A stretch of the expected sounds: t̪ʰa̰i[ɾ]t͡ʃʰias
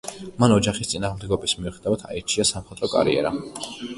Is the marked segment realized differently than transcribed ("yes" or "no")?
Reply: no